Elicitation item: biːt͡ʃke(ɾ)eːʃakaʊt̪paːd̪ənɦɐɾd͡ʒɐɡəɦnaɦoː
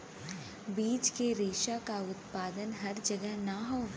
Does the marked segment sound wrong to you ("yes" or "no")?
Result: no